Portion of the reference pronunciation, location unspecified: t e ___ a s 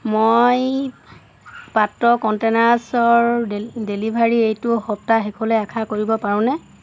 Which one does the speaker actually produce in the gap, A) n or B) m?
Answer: A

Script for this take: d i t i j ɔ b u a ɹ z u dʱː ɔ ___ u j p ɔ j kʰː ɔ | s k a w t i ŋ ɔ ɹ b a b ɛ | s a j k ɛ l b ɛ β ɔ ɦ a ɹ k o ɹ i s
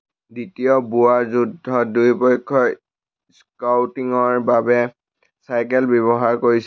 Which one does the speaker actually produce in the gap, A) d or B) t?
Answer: A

